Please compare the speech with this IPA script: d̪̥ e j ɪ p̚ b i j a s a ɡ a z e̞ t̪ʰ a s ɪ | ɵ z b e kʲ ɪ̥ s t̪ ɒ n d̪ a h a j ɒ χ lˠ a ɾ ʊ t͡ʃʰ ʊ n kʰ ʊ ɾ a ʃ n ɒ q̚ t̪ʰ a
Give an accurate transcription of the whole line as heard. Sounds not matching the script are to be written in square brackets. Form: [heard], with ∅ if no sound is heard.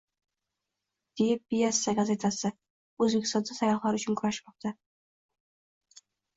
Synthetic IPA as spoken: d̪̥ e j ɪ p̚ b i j a s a ɡ a z e̞ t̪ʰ a s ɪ | ɵ z b e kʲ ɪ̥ s t̪ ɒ n d̪ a [s] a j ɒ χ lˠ a ɾ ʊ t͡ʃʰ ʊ n kʰ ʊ ɾ a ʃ [m] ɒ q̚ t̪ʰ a